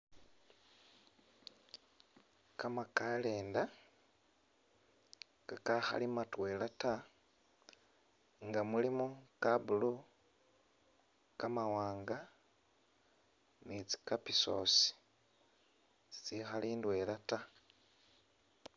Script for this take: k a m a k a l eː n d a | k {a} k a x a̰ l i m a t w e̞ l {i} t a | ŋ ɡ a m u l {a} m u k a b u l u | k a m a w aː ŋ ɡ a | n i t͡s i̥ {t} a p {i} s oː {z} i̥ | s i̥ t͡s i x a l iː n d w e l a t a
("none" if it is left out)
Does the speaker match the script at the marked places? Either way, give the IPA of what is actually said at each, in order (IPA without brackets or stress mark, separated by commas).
a, a, i, k, i, s